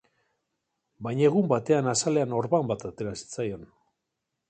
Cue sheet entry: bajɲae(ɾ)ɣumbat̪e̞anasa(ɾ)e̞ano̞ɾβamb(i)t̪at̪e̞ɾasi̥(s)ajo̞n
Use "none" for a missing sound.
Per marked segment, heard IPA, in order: none, l, a, t͡s

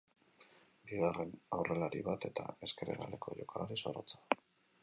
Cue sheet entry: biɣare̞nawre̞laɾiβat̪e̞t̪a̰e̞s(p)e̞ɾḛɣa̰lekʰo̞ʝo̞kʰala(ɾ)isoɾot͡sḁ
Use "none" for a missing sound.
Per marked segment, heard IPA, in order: k, ɾ

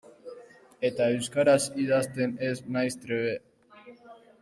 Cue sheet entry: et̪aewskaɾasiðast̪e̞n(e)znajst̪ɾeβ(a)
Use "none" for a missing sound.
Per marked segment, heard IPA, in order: e, e

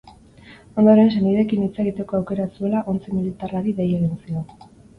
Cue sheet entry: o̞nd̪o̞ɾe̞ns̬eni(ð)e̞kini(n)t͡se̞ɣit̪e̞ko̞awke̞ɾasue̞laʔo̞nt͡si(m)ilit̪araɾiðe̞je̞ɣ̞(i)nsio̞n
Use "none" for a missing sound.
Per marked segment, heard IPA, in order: ð, none, m, i

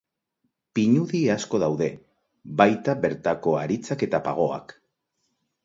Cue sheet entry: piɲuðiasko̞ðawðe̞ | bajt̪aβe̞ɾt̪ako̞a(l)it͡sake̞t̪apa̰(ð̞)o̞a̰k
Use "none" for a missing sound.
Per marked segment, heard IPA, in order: ɾ, ɣ̞

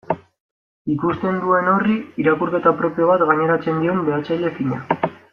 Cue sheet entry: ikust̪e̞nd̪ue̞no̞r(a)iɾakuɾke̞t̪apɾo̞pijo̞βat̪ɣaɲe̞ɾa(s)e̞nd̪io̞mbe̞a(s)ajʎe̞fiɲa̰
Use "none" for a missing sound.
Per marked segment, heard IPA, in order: i, t͡s, t͡s

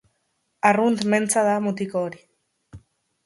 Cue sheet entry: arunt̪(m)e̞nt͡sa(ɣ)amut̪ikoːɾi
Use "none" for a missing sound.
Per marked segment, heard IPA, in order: m, ð

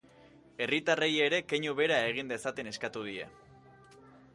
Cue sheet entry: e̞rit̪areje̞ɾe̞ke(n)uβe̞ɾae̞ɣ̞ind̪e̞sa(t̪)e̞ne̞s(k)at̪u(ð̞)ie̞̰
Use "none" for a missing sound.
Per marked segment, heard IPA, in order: ɲ, t̪, k, ð̞

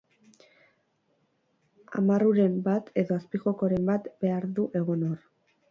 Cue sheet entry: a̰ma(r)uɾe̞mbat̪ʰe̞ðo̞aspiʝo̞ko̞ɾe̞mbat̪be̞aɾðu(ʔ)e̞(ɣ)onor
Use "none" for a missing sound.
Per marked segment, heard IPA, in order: r, ʔ, ɣ

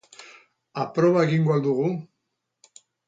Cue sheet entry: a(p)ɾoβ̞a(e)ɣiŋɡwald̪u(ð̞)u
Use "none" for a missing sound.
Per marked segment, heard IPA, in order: p, e, ɣ̞

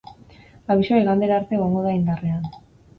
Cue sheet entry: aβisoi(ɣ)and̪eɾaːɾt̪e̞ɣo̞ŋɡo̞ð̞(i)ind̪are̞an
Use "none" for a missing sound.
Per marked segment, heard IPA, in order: ɣ, a

